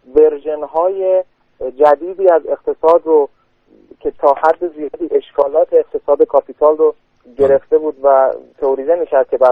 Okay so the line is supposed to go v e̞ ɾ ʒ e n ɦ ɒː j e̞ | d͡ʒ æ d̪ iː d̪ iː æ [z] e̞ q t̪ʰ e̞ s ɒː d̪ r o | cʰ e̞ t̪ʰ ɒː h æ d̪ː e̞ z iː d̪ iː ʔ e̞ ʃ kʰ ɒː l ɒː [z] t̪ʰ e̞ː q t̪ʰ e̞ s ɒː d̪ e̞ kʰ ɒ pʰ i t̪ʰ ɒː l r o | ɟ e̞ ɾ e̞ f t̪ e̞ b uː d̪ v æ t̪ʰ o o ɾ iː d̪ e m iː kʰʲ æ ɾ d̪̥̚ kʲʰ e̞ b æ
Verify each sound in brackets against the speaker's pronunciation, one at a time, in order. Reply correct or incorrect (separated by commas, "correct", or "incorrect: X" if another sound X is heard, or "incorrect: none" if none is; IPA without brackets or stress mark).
correct, incorrect: none